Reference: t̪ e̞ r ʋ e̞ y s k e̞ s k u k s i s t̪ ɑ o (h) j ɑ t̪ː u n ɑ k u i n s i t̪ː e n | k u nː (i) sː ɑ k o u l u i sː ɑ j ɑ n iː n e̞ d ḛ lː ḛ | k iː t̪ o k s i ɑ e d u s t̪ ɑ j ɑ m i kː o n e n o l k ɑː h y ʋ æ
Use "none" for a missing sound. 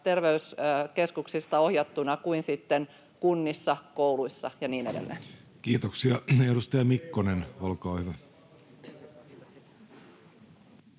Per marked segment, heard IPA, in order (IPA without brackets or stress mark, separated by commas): h, i